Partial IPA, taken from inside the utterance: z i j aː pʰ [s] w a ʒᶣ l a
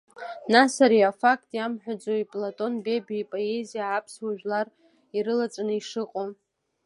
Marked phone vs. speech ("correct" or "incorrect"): correct